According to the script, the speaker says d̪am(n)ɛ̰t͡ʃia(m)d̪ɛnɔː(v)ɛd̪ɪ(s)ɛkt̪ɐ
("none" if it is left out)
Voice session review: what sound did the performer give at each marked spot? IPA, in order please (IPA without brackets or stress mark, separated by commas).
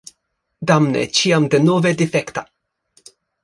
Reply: n, m, v, f